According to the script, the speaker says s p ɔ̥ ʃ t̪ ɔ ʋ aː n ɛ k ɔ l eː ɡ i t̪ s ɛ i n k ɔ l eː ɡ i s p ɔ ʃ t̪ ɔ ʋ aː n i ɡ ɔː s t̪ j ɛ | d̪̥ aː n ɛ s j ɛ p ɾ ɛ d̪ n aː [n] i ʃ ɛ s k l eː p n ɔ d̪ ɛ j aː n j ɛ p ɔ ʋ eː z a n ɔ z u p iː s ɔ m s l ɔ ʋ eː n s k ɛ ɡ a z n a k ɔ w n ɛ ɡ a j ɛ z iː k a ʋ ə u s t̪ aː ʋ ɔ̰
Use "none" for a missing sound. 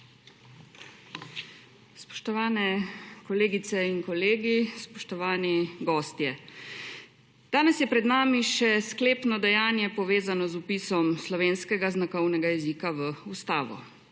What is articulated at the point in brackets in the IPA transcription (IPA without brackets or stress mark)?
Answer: m